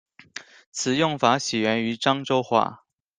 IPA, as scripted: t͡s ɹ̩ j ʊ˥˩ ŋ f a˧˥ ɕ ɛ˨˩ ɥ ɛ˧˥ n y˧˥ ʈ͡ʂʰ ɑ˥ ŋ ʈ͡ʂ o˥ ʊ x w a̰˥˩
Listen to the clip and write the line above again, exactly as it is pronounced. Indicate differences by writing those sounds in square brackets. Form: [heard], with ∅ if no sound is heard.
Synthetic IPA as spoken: [t͡sʰ] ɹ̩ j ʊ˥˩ ŋ f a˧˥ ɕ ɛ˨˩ ɥ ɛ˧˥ n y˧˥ [ʈ͡ʂ] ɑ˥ ŋ ʈ͡ʂ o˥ ʊ x w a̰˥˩